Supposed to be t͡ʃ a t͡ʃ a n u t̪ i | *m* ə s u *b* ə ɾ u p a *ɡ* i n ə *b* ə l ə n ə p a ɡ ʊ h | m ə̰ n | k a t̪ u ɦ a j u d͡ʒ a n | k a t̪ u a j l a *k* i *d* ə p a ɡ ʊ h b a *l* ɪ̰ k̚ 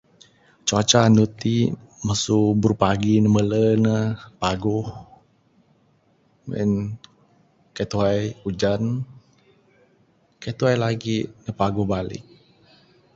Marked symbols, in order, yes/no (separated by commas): yes, yes, yes, no, no, no, yes